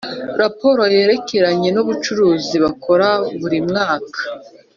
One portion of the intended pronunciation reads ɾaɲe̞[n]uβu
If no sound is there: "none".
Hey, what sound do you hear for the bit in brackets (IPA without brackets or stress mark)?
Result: n